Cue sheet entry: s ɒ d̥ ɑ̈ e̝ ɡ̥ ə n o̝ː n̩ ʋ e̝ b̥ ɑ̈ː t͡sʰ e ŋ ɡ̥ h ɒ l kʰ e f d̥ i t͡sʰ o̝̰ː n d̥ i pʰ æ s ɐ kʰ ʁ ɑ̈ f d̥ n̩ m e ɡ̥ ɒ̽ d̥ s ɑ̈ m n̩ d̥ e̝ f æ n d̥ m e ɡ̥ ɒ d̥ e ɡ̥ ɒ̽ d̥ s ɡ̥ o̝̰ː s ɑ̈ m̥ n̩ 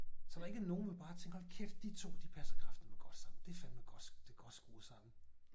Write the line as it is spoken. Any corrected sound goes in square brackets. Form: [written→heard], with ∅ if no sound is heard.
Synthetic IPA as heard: s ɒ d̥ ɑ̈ e̝ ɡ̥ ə n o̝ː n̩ ʋ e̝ b̥ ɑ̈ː t͡sʰ e ŋ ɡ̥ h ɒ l kʰ e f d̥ i t͡sʰ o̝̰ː [n→∅] d̥ i pʰ æ s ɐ kʰ ʁ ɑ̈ f d̥ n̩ m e ɡ̥ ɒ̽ d̥ s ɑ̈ m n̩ d̥ e̝ f æ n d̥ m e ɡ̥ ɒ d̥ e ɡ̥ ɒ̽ d̥ s ɡ̥ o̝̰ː s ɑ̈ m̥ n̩